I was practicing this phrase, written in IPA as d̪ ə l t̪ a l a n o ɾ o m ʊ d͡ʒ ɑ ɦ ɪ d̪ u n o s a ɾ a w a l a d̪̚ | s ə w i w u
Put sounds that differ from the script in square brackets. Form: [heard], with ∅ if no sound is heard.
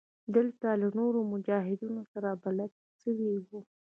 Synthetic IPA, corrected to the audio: d̪ ə l t̪ a l a n o ɾ o m ʊ d͡ʒ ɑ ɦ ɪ d̪ u n o s a ɾ a [b] a l a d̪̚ | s ə w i w u